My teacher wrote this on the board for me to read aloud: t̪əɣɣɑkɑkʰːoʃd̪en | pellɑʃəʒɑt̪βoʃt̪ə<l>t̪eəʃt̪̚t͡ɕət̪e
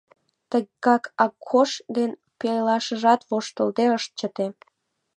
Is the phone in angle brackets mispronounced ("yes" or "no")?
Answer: no